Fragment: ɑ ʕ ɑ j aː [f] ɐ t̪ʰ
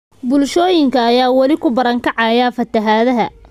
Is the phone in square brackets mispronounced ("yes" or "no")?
no